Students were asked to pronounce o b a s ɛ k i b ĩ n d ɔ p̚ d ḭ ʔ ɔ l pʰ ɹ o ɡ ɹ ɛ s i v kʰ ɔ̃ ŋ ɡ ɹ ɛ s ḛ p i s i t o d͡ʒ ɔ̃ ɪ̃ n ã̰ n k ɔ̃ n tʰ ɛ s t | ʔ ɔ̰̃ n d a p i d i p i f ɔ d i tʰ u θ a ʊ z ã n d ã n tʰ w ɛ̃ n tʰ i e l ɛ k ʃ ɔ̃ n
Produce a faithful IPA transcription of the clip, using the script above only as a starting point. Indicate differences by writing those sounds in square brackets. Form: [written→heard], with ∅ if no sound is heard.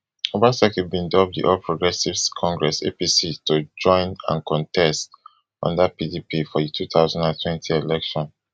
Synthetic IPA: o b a s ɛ k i b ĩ n d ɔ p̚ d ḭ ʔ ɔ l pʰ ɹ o ɡ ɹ ɛ s i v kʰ ɔ̃ ŋ ɡ ɹ ɛ s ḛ p i s i t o d͡ʒ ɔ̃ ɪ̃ n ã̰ n k ɔ̃ n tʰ ɛ s t | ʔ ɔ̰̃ n d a p i d i p i f ɔ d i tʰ u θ a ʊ z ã n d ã n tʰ w ɛ̃ n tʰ i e l ɛ k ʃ ɔ̃ n